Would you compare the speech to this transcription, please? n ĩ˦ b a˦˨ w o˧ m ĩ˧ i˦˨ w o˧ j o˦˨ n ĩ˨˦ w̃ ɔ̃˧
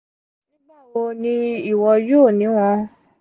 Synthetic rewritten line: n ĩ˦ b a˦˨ w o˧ n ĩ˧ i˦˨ w ɔ˧ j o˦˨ n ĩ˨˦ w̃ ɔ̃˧

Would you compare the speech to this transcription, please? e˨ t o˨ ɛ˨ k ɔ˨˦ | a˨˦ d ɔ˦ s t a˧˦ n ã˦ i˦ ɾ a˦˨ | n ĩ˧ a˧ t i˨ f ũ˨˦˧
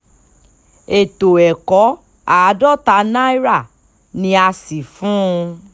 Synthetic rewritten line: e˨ t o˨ ɛ˨ k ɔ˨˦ | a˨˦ d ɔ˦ t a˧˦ n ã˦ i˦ ɾ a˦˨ | n ĩ˧ a˧ s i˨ f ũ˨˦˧

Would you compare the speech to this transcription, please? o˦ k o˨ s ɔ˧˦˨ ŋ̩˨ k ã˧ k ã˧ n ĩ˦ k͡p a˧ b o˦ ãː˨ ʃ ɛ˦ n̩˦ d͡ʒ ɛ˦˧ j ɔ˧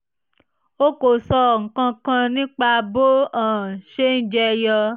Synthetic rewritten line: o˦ k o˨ s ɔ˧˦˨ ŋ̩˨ k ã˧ k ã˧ n ĩ˦ k͡p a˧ b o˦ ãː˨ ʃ e˦ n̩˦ d͡ʒ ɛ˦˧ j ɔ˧

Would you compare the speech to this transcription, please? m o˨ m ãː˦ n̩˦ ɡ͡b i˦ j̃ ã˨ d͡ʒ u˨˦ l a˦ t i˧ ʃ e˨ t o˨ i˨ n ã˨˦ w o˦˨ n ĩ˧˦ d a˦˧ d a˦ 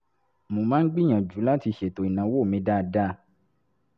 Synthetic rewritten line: m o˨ m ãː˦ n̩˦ ɡ͡b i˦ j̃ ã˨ d͡ʒ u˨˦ l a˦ t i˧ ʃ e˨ t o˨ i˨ n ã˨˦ w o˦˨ m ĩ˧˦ d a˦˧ d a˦

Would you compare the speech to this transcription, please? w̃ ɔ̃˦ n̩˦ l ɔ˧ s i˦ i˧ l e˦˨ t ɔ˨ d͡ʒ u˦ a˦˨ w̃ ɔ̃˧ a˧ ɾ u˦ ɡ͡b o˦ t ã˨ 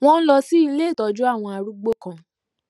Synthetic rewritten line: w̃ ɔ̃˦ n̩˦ l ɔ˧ s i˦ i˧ l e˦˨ t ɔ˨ d͡ʒ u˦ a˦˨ w̃ ɔ̃˧ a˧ ɾ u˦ ɡ͡b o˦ k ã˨

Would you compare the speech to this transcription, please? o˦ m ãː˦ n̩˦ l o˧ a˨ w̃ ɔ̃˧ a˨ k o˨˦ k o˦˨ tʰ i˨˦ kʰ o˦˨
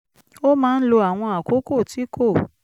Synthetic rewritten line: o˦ m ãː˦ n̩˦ l o˧ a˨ w̃ ɔ̃˧ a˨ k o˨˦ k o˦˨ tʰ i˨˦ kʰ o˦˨

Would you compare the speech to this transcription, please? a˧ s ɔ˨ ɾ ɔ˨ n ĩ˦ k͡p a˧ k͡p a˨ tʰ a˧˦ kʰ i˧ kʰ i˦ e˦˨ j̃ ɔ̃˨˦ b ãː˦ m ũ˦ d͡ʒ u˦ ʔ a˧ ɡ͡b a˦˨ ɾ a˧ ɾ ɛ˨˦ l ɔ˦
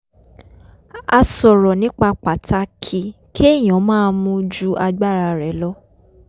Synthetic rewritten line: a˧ s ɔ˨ ɾ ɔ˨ n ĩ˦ k͡p a˧ k͡p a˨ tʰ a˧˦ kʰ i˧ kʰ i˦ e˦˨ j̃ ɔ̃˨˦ m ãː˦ m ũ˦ d͡ʒ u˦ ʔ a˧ ɡ͡b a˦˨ ɾ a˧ ɾ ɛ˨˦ l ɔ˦

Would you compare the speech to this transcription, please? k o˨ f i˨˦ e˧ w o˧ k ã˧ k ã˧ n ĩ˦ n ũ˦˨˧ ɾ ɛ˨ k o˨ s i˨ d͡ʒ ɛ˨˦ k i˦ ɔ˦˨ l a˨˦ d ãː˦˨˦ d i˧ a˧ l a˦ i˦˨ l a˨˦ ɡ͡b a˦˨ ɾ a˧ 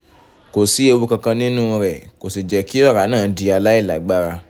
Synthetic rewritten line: k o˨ s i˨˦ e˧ w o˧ k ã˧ k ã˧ n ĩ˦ n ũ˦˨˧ ɾ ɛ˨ k o˨ s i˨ d͡ʒ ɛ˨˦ k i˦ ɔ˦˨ ɾ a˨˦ n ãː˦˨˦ d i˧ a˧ l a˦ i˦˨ l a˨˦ ɡ͡b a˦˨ ɾ a˧

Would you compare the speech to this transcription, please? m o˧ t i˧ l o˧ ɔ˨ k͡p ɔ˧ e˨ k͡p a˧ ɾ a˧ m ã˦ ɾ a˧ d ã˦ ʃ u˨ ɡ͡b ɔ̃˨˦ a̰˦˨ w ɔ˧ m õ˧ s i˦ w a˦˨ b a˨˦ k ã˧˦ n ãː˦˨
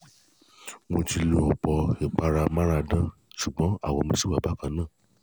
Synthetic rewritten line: m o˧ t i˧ l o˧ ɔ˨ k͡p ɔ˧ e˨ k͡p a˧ ɾ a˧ m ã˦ ɾ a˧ d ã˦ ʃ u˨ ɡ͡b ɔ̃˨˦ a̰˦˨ w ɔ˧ m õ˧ s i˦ w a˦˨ b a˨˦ k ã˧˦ n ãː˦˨

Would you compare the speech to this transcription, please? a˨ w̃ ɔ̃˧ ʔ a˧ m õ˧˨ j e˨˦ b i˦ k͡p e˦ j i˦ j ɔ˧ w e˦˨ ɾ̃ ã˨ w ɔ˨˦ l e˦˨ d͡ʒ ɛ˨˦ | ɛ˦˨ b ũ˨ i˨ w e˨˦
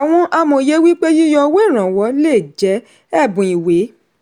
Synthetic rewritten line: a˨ w̃ ɔ̃˧ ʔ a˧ m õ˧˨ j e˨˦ w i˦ k͡p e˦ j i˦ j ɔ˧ w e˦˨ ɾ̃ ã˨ w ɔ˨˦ l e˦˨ d͡ʒ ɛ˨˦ | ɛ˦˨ b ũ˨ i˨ w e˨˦

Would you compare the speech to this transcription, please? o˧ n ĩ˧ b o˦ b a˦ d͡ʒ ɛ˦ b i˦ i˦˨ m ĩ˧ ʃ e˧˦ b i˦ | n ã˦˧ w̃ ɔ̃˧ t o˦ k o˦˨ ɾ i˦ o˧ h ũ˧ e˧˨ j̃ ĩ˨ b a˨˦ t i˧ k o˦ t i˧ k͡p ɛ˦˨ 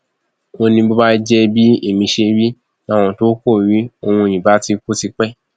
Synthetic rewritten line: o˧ n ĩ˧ b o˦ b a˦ d͡ʒ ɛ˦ b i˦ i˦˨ m ĩ˧ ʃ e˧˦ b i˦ | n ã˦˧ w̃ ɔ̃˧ t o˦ k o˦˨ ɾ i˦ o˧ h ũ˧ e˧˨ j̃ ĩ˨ b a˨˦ t i˧ k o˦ t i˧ k͡p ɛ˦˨

